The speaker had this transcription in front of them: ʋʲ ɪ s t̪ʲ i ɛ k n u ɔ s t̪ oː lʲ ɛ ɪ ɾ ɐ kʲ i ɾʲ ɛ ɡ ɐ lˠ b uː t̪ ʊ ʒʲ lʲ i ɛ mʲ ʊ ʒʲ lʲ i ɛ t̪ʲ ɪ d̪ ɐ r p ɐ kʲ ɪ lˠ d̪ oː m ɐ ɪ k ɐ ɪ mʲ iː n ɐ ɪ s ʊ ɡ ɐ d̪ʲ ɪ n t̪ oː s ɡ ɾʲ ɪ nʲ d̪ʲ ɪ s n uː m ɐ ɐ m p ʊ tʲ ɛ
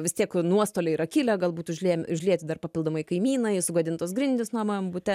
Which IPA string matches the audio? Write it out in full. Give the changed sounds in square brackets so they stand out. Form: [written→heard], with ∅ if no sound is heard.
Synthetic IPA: ʋʲ ɪ s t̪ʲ i ɛ k n u ɔ s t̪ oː lʲ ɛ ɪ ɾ ɐ kʲ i [ɾʲ→lʲ] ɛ ɡ ɐ lˠ b uː t̪ ʊ ʒʲ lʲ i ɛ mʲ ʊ ʒʲ lʲ i ɛ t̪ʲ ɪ d̪ ɐ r p ɐ [kʲ→pʲ] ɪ lˠ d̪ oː m ɐ ɪ k ɐ ɪ mʲ iː n ɐ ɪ s ʊ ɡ ɐ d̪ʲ ɪ n t̪ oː s ɡ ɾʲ ɪ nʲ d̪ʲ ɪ s n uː m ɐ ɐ m [p→b] ʊ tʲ ɛ